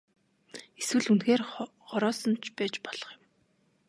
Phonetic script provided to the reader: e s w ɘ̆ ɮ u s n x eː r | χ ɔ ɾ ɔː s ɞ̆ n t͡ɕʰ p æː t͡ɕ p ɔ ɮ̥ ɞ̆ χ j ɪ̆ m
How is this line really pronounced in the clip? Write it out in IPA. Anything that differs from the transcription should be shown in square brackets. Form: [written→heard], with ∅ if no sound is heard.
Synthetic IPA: e s w ɘ̆ ɮ u [s→∅] n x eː r | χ ɔ ɾ ɔː s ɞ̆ n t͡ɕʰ p æː t͡ɕ p ɔ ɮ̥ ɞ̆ χ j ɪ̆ m